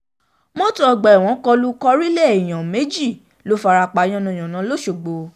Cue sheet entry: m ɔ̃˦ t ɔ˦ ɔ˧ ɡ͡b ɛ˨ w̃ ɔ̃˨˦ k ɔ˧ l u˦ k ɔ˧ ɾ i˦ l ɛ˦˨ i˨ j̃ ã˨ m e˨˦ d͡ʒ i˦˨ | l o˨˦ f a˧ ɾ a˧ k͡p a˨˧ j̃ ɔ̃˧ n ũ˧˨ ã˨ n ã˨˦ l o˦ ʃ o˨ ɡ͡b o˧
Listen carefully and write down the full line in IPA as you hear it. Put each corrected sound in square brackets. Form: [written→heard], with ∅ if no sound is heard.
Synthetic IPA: m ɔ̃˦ t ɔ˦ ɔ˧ ɡ͡b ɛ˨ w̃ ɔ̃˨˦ k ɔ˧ l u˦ k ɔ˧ ɾ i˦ l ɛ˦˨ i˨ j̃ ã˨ m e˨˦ d͡ʒ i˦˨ | l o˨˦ f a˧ ɾ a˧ k͡p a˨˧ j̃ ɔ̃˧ n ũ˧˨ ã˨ n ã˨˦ l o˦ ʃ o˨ ɡ͡b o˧